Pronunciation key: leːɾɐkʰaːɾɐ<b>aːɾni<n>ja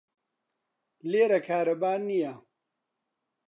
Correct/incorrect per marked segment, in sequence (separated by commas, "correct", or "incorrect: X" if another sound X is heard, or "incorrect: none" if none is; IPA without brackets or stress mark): correct, incorrect: none